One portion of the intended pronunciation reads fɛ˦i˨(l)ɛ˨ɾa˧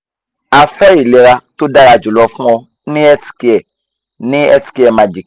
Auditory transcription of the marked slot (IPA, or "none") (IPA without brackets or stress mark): l